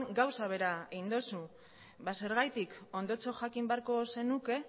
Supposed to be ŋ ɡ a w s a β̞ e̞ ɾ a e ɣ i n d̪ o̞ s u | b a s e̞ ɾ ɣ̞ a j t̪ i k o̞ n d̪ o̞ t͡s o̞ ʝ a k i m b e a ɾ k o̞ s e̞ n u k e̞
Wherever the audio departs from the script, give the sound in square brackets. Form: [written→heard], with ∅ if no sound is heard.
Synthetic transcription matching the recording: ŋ ɡ a w s a β̞ e̞ ɾ a e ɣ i n d̪ o̞ s u | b a s e̞ ɾ ɣ̞ a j t̪ i k o̞ n d̪ o̞ t͡s o̞ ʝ a k i m b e a ɾ k o̞ s e̞ n u k e̞